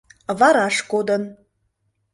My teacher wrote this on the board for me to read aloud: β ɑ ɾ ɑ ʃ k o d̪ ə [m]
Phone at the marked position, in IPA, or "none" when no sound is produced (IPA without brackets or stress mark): n